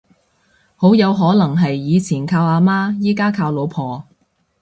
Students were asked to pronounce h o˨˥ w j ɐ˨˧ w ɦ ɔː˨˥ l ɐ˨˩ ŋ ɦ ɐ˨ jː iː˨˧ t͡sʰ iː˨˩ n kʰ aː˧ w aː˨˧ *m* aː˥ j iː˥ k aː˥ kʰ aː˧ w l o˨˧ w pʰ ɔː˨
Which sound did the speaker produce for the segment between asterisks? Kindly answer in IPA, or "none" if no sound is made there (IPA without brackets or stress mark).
m